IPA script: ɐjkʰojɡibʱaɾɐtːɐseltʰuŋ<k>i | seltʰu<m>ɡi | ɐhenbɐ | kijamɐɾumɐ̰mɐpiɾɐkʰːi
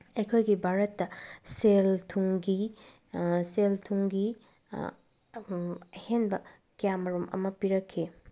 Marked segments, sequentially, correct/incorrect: incorrect: ɡ, incorrect: ŋ

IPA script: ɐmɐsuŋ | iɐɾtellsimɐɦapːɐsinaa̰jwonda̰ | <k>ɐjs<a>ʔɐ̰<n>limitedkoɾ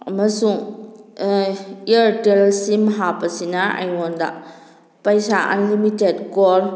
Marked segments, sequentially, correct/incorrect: incorrect: p, correct, correct

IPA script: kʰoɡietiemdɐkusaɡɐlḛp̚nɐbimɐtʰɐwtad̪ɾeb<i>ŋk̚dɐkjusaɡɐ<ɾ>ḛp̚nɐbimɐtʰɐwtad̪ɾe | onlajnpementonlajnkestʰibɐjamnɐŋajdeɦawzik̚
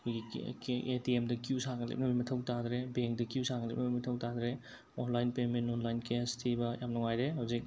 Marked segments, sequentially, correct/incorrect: incorrect: e, incorrect: l

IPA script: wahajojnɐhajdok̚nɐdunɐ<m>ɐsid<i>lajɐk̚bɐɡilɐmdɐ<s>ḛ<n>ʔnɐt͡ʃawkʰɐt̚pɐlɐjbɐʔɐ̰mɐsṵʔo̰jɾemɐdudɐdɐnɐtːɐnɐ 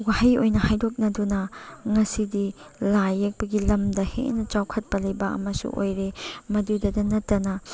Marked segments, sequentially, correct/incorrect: incorrect: ŋ, correct, incorrect: h, incorrect: none

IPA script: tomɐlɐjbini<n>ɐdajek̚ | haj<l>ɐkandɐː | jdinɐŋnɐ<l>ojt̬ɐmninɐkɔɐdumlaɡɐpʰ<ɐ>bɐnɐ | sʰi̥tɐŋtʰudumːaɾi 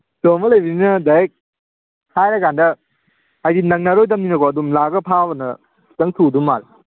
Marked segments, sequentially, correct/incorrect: correct, incorrect: ɾ, incorrect: ɾ, incorrect: a

